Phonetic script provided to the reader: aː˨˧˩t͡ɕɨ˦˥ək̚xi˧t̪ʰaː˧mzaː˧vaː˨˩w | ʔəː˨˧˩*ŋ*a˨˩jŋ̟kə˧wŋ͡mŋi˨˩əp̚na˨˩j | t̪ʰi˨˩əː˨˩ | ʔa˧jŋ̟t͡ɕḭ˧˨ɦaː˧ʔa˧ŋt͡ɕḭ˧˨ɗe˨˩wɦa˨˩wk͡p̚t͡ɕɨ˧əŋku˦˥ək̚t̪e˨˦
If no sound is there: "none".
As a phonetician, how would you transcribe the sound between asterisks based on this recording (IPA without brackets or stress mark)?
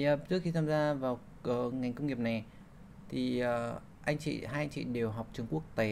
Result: ŋ